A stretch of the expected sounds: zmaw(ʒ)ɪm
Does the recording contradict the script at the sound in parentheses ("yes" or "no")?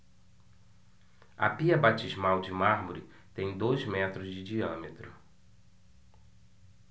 yes